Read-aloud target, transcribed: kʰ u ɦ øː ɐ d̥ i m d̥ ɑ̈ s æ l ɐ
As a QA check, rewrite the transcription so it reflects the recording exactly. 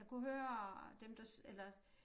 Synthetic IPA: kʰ u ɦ øː ɐ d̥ e m d̥ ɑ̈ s e l ɐ